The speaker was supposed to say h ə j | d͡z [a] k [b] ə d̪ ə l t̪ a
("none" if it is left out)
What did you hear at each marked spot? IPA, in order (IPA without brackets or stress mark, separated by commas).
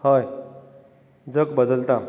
ə, b